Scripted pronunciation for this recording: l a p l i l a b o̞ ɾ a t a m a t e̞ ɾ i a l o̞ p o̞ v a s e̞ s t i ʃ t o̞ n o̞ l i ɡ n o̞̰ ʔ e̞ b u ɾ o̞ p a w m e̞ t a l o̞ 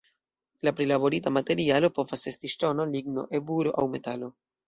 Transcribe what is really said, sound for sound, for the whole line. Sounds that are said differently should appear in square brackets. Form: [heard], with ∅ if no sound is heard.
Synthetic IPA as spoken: l a p [ɾ] i l a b o̞ ɾ [i] t a m a t e̞ ɾ i a l o̞ p o̞ v a s e̞ s t i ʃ t o̞ n o̞ l i ɡ n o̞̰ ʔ e̞ b u ɾ o̞ [ʔ] a w m e̞ t a l o̞